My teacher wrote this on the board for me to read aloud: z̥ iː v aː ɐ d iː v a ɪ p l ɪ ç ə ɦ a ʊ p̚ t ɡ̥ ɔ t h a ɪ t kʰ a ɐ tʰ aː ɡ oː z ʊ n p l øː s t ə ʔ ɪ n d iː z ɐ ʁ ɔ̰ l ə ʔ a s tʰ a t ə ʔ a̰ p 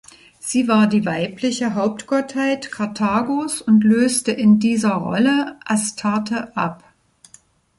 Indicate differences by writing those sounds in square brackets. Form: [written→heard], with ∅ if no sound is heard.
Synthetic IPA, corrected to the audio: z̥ iː v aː ɐ d iː v a ɪ p l ɪ ç ə ɦ a ʊ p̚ t ɡ̥ ɔ t h a ɪ t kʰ a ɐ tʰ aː ɡ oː [z→s] ʊ n [p→t] l øː s t ə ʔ ɪ n d iː z ɐ ʁ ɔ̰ l ə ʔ a s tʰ a t ə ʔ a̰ p